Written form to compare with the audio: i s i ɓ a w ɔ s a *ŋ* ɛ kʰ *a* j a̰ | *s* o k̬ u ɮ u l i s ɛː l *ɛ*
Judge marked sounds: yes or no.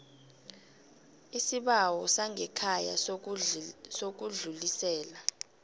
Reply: yes, yes, yes, no

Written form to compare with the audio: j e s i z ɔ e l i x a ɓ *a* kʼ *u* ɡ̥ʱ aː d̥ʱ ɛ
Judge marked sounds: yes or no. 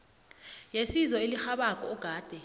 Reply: yes, no

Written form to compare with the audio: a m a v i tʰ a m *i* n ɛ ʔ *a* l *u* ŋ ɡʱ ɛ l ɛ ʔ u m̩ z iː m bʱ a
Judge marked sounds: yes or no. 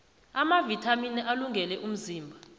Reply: yes, yes, yes

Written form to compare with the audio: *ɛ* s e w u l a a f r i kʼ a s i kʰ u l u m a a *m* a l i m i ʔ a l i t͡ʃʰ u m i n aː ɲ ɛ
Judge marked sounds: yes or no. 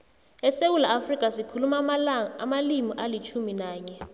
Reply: yes, yes

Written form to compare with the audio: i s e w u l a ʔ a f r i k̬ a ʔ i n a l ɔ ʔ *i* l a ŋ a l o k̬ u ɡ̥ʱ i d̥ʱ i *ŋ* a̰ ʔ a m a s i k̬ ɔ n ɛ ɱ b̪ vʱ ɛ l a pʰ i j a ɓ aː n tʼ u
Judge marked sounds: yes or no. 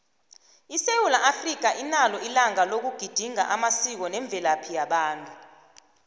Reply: yes, yes

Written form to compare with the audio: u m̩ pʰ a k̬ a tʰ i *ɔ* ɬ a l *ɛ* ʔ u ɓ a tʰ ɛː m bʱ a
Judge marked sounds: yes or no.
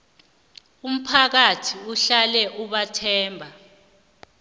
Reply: no, yes

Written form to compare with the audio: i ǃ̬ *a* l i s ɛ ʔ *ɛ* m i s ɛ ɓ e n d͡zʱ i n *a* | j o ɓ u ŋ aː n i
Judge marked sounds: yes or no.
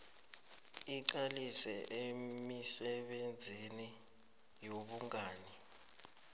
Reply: yes, no, no

